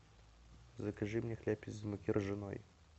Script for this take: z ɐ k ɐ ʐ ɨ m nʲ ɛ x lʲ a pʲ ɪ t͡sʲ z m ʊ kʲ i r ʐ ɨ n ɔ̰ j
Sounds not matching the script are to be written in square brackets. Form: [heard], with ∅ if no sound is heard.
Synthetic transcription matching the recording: z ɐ k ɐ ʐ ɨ m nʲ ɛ x lʲ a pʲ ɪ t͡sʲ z m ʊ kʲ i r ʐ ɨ n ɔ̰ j